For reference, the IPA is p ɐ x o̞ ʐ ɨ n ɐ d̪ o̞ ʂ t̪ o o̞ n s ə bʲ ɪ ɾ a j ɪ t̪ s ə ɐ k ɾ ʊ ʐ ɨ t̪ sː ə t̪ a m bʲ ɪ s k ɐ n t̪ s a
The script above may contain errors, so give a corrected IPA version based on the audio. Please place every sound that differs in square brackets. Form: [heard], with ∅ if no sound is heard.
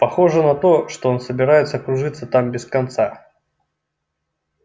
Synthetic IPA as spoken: p ɐ x o̞ ʐ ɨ n ɐ [t̪] o̞ ʂ t̪ o o̞ n s ə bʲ ɪ ɾ a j ɪ t̪ s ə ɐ k ɾ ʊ ʐ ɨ t̪ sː ə t̪ a m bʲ ɪ s k ɐ n t̪ s a